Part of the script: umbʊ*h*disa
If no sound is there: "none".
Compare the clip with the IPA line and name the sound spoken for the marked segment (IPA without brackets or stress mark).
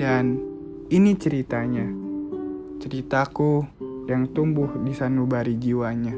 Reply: h